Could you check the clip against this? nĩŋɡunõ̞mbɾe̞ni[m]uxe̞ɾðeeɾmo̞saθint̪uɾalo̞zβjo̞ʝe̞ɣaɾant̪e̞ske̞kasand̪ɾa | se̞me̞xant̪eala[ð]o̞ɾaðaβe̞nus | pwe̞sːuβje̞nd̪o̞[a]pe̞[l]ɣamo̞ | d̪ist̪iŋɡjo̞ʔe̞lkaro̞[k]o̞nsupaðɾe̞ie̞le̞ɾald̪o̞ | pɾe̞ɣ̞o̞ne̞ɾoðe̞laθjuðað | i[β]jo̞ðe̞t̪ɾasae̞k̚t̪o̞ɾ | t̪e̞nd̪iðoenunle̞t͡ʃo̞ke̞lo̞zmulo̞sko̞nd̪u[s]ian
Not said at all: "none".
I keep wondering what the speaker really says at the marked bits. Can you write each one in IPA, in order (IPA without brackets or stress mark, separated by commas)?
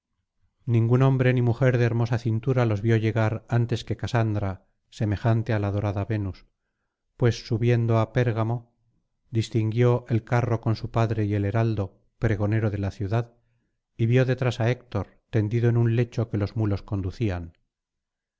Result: m, ð, a, ɾ, k, β, θ